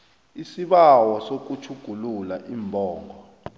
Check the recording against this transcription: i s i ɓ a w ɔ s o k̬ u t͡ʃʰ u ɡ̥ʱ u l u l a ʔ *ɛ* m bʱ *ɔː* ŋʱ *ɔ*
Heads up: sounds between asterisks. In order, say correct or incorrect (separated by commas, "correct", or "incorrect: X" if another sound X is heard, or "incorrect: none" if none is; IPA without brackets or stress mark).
incorrect: i, correct, correct